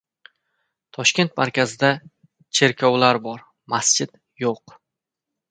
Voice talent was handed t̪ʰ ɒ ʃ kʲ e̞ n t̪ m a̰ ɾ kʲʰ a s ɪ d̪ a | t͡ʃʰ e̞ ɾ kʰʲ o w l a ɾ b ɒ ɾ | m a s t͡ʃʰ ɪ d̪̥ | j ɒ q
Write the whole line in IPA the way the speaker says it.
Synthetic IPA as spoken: t̪ʰ ɒ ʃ kʲ e̞ n t̪ m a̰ ɾ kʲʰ a z ɪ d̪ a | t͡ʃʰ e̞ ɾ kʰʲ ɒ w l a ɾ b ɒ ɾ | m a s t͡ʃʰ ɪ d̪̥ | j o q